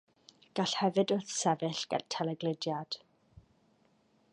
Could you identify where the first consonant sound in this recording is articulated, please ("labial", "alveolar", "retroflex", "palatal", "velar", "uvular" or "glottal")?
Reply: velar